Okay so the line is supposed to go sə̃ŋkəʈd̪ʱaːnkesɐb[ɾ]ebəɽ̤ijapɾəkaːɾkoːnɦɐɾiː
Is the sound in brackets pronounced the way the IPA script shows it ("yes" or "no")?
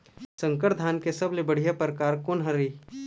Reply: no